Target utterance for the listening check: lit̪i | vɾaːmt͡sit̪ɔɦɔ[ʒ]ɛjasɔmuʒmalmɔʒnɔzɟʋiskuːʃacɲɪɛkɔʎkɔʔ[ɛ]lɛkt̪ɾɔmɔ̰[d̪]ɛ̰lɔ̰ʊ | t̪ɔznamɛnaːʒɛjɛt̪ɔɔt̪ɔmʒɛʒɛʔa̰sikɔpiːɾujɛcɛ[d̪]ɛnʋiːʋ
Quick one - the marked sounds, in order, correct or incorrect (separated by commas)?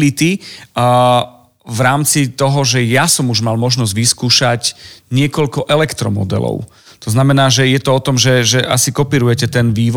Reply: correct, correct, correct, incorrect